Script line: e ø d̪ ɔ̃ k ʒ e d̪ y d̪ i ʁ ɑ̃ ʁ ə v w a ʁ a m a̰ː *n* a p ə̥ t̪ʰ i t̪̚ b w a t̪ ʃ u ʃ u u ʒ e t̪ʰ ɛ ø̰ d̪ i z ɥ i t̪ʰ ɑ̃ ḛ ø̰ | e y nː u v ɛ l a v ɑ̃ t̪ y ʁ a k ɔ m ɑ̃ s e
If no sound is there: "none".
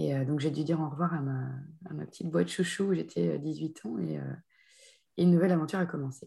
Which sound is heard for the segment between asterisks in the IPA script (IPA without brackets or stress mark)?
m